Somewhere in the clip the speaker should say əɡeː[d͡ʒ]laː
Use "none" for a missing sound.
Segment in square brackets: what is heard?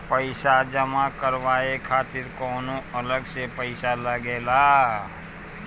none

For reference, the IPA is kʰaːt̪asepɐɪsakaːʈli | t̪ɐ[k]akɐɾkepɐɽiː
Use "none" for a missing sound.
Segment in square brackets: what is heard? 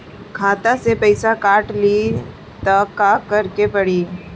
k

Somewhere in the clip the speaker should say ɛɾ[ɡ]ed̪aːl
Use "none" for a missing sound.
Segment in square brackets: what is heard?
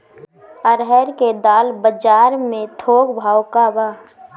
k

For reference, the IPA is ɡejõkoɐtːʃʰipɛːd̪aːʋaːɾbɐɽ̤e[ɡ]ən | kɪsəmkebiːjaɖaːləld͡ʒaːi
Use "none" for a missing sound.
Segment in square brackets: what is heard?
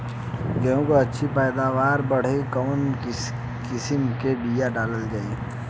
k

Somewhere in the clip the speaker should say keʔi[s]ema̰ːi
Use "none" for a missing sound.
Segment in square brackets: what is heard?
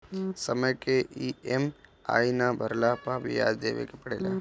none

